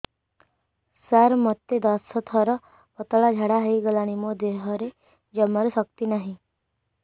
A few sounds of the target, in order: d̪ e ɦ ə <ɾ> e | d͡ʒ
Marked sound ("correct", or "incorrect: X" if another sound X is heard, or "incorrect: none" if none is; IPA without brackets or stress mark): correct